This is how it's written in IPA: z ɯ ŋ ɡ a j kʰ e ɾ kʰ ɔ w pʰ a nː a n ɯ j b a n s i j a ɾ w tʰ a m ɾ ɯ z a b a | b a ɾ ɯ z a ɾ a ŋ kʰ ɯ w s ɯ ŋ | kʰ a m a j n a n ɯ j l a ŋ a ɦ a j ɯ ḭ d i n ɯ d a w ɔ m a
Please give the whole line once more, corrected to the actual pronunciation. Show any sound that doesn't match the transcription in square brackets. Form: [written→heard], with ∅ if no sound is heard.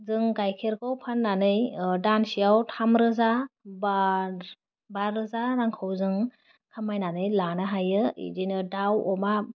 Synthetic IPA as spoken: z ɯ ŋ ɡ a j kʰ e ɾ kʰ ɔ w pʰ a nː a n ɯ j [b→d] a n s i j a [ɾ→∅] w tʰ a m ɾ ɯ z a b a | b a ɾ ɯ z a ɾ a ŋ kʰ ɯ w [s→z] ɯ ŋ | kʰ a m a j n a n ɯ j l a [ŋ→n] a ɦ a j ɯ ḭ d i n ɯ d a w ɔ m a

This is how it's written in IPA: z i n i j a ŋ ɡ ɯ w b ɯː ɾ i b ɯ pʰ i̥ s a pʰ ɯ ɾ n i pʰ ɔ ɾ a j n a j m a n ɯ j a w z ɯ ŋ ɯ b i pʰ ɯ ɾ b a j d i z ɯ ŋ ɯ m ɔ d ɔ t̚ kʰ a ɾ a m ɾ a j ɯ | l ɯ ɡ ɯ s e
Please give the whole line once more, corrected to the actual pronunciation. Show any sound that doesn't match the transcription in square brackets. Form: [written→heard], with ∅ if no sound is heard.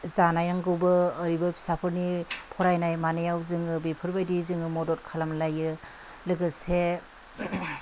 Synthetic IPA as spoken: z [i→a] n [i→a] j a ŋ ɡ ɯ w b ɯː ɾ i b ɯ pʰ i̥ s a pʰ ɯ ɾ n i pʰ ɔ ɾ a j n a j m a n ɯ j a w z ɯ ŋ ɯ b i pʰ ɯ ɾ b a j d i z ɯ ŋ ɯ m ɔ d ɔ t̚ kʰ a [ɾ→l] a m [ɾ→l] a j ɯ | l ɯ ɡ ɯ s e

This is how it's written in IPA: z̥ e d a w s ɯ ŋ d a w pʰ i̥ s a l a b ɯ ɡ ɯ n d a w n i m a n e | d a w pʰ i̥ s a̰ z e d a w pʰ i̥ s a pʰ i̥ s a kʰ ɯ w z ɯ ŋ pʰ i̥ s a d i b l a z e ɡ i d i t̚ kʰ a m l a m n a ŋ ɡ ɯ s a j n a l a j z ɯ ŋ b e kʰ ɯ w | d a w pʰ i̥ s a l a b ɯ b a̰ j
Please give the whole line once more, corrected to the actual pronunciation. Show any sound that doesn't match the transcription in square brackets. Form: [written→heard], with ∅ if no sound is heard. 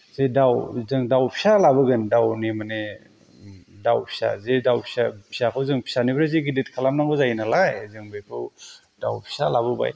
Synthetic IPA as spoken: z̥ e d a w [s→z] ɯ ŋ d a w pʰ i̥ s a l a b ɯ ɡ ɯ n d a w n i m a n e | d a w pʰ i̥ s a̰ z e d a w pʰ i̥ s a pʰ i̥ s a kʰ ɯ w z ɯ ŋ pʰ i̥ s a [d→n] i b [l→ɾ] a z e ɡ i d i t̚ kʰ a [m→∅] l a m n a ŋ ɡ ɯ [s→z] a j n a l a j z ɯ ŋ b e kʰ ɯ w | d a w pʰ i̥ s a l a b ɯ b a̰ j

